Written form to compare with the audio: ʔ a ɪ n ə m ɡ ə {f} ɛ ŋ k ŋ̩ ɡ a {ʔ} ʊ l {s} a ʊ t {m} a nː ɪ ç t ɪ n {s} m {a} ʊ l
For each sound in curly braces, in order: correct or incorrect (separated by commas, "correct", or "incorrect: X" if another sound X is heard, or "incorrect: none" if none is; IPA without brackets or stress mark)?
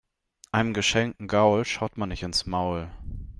incorrect: ʃ, incorrect: none, incorrect: ʃ, correct, correct, correct